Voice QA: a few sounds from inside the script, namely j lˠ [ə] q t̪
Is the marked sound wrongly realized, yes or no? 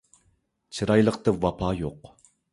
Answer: no